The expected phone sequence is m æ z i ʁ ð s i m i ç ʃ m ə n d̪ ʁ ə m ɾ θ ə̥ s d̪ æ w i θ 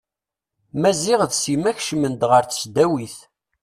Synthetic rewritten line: m æ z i ʁ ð s i m æ ç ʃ m ə n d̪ ʁ ə ɾ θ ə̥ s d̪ æ w i θ

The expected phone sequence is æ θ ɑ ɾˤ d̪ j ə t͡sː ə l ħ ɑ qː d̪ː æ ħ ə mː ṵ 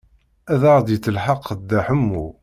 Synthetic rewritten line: æ ð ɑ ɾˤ d̪ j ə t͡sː ə l ħ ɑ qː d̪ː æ ħ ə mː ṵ

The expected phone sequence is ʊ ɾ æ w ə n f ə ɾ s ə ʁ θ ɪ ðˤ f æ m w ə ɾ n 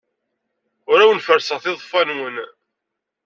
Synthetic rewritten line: ʊ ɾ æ w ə n f ə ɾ s ə ʁ θ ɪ ðˤ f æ n w ə n

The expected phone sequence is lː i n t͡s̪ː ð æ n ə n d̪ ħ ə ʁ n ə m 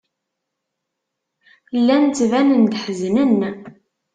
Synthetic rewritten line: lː æ n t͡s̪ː v æ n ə n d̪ ħ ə z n ə n

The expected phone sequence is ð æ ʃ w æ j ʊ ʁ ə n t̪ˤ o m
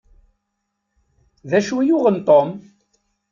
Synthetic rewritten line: ð æ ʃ w i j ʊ ʁ ə n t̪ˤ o m

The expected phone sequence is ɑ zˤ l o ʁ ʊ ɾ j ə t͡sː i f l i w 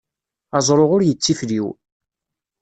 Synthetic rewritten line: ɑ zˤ ɾ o ʁ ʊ ɾ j ə t͡sː i f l i w

